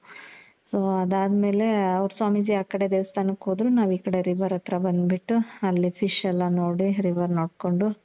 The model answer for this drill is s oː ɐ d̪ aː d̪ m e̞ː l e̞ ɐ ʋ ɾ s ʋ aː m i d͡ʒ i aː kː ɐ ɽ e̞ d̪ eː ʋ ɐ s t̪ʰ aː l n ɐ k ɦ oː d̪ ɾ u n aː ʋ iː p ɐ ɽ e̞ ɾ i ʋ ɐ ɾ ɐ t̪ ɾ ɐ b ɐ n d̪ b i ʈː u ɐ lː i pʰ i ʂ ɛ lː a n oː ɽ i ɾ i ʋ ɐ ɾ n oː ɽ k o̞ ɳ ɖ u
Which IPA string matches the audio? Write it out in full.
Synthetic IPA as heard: s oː ɐ d̪ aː d̪ m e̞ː l e̞ ɐ ʋ ɾ s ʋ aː m i d͡ʒ i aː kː ɐ ɽ e̞ d̪ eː ʋ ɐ s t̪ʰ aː n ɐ k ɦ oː d̪ ɾ u n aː ʋ iː k ɐ ɽ e̞ ɾ i ʋ ɐ ɾ ɐ t̪ ɾ ɐ b ɐ n d̪ b i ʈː u ɐ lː i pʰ i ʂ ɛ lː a n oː ɽ i ɾ i ʋ ɐ ɾ n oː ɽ k o̞ ɳ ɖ u